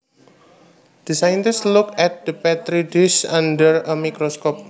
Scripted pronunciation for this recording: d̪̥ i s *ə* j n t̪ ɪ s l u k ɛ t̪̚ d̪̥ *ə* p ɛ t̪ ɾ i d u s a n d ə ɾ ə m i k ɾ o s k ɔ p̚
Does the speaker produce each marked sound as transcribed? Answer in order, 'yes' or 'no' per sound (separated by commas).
no, yes